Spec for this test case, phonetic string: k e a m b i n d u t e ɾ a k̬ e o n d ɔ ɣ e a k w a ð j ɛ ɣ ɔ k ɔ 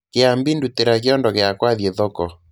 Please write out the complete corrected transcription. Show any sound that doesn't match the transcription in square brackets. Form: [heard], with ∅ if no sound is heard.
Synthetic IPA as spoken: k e a m b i n d u t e ɾ a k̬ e [ɔ] n d ɔ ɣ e a k w a ð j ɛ [ð] ɔ k ɔ